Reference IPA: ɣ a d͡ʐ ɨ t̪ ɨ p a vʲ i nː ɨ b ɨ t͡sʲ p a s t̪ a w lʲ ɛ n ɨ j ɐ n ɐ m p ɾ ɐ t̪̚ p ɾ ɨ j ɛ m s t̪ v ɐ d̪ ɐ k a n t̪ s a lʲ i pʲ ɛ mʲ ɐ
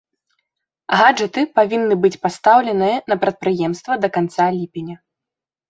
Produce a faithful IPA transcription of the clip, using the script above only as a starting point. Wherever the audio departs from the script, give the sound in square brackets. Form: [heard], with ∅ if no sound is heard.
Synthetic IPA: ɣ a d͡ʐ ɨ t̪ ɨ p a vʲ i nː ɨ b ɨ t͡sʲ p a s t̪ a w lʲ ɛ n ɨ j ɐ n ɐ [∅] p ɾ ɐ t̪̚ p ɾ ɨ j ɛ m s t̪ v ɐ d̪ ɐ k a n t̪ s a lʲ i pʲ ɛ [nʲ] ɐ